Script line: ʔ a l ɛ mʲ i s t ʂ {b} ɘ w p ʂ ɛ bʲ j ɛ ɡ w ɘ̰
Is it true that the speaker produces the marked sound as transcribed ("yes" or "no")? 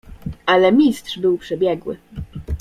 yes